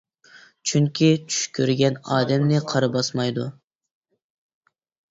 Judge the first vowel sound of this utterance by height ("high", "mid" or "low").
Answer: high